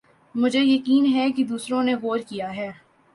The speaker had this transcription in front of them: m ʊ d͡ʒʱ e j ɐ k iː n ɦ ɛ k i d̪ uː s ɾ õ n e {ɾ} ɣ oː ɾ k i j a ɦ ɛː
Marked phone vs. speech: incorrect: none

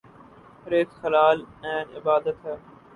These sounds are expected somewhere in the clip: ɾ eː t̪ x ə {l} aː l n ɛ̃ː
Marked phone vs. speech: correct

